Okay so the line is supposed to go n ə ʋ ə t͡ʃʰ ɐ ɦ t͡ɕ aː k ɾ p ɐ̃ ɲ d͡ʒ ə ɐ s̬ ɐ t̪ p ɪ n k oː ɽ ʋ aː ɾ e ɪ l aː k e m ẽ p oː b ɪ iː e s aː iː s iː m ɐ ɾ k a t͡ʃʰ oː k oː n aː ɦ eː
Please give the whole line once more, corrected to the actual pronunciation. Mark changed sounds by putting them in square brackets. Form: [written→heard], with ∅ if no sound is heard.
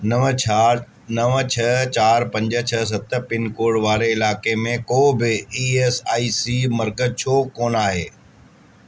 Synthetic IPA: n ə ʋ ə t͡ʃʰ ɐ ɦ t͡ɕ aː [k→∅] ɾ p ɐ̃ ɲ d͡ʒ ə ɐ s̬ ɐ t̪ p ɪ n k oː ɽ ʋ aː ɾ e ɪ l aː k e m ẽ [p→k] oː b ɪ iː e s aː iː s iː m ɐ ɾ k [a→ə] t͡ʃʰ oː k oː n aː ɦ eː